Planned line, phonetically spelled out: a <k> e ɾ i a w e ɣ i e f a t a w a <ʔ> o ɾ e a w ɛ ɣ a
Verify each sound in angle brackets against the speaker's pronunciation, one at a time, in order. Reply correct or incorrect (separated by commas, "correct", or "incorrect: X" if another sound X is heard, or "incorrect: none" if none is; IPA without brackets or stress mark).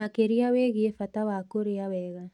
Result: correct, incorrect: k